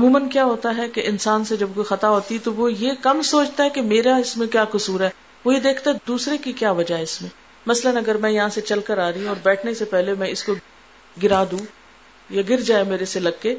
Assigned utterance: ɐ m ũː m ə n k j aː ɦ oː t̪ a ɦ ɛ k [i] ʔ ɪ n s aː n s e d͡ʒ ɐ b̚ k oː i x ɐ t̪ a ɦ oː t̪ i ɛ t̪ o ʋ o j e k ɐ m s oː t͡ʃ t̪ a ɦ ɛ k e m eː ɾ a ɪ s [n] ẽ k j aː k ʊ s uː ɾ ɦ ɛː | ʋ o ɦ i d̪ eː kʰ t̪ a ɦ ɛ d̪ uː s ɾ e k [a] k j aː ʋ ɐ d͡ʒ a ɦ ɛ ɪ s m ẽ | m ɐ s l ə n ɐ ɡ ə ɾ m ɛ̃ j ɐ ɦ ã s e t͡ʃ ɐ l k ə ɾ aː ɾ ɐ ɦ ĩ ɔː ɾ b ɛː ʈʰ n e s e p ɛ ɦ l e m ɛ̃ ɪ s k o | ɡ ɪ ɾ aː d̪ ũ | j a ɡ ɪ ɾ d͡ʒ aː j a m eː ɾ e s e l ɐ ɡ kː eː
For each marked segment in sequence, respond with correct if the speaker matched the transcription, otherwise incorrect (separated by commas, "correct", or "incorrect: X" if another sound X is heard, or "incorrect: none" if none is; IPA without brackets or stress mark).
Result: incorrect: e, incorrect: m, incorrect: i